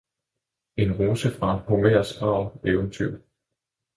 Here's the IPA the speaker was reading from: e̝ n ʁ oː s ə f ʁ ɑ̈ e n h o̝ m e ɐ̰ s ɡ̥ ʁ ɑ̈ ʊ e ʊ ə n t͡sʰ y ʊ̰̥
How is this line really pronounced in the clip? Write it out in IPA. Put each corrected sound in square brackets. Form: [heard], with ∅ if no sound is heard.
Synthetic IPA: e̝ n ʁ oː s ə f ʁ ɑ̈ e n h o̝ m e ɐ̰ s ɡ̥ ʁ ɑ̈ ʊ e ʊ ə n t͡sʰ y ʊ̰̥